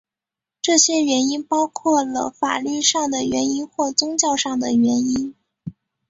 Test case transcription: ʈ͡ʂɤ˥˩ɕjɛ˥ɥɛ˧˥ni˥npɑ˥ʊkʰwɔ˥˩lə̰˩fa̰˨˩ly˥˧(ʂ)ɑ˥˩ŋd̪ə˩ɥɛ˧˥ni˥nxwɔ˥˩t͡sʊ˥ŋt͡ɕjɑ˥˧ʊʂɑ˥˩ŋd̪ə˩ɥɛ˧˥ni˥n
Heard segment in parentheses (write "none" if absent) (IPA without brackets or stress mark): ʂ